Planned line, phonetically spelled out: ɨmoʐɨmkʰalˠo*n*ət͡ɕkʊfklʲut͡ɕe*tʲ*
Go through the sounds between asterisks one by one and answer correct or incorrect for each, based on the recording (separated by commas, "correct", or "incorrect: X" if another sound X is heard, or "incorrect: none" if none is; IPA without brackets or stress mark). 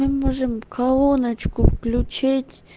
correct, correct